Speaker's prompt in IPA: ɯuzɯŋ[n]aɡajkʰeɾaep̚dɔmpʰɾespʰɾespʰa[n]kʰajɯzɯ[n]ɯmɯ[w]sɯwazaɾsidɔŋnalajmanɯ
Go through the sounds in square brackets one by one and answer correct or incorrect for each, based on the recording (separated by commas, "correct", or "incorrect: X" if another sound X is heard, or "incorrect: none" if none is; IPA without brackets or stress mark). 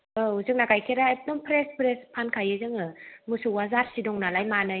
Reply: correct, correct, incorrect: ŋ, incorrect: none